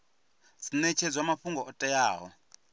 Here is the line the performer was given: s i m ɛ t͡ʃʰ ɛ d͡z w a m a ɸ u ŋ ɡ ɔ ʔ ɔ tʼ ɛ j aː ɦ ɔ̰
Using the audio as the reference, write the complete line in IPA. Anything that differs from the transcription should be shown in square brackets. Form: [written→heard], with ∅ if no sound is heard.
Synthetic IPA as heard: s i [m→n] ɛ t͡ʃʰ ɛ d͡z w a m a ɸ u ŋ ɡ ɔ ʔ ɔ tʼ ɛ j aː ɦ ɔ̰